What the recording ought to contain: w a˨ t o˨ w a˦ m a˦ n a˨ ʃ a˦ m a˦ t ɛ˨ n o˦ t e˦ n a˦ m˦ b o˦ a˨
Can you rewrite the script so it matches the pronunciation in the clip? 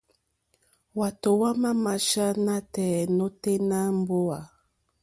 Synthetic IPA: w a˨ t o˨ w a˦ m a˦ m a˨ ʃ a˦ n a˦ t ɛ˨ n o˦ t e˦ n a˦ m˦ b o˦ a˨